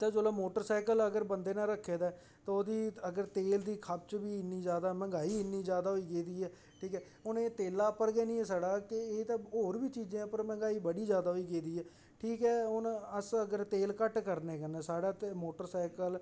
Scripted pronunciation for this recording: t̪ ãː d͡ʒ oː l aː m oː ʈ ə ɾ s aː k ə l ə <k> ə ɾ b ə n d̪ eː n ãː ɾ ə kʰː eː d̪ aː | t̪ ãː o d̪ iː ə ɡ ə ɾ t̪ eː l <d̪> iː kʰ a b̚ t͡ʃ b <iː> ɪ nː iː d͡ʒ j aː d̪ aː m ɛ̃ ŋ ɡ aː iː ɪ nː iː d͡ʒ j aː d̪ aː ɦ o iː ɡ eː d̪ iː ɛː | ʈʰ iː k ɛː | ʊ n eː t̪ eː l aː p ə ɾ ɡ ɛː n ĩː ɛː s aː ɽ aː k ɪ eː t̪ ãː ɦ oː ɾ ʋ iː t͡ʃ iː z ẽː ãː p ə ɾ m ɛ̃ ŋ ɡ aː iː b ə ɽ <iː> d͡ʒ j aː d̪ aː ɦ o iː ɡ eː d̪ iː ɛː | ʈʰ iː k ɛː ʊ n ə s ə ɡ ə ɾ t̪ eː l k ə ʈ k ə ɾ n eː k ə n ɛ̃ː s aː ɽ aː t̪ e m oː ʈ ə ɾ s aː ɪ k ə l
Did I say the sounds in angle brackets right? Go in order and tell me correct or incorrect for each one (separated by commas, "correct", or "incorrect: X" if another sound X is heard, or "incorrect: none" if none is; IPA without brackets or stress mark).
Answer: incorrect: ɡ, correct, correct, correct